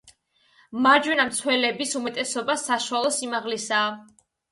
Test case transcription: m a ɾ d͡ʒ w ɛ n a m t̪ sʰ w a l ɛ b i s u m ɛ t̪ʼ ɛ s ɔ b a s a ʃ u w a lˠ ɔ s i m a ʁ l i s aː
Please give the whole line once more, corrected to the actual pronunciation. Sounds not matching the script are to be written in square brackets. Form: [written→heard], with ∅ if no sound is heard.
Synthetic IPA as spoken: m a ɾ d͡ʒ w ɛ n a m t̪ sʰ w [a→ɛ] l ɛ b i s u m ɛ t̪ʼ ɛ s ɔ b a s a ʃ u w a lˠ ɔ s i m a ʁ l i s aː